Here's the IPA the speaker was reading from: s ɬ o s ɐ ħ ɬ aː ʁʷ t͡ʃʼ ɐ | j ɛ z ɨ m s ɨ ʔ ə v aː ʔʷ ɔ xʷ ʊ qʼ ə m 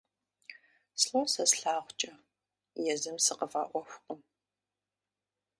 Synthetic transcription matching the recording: s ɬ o s ɐ s ɬ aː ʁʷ t͡ʃʼ ɐ | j ɛ z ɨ m s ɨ q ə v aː ʔʷ ɔ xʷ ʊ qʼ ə m